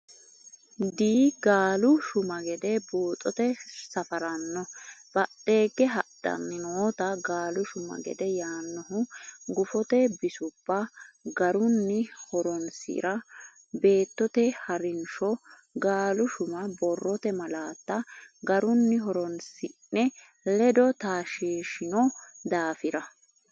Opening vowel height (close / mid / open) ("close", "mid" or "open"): close